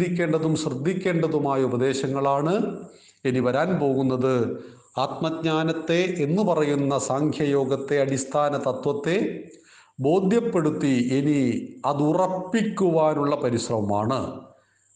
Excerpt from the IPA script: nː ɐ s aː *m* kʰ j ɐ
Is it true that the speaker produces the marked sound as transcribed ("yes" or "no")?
no